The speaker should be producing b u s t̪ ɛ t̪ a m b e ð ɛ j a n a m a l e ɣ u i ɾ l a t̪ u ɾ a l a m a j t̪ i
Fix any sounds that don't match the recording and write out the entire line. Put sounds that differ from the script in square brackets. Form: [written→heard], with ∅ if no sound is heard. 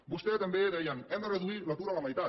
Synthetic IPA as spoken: b u s t̪ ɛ t̪ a m b e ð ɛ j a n [a→ɛ] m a [l→r] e [ɣ→ð] u i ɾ l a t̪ u ɾ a l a m a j t̪ [i→a]